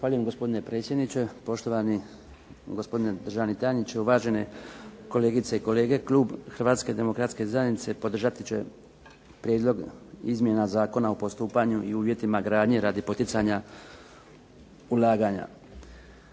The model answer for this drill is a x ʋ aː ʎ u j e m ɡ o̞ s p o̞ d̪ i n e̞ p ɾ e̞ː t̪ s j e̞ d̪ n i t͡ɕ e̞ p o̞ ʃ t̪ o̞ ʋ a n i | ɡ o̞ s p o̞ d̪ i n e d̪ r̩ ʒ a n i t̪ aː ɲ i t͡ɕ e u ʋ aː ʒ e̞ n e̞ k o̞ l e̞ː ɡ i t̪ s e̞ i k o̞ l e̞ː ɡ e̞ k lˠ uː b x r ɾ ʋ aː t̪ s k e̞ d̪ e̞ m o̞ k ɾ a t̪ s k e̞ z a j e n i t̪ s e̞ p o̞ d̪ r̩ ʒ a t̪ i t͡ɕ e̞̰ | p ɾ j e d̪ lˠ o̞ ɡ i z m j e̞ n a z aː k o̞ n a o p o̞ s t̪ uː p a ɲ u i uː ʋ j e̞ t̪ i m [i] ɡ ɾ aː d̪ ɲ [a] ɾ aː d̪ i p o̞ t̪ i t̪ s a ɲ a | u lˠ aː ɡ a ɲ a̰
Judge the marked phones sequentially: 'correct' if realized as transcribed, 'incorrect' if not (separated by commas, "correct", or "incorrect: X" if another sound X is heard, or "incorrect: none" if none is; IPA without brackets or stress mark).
incorrect: a, incorrect: e